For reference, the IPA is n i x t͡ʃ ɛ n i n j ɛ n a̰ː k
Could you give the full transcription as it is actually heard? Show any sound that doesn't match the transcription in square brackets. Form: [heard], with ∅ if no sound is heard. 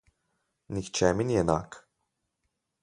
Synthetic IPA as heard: n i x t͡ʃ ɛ [m] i n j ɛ n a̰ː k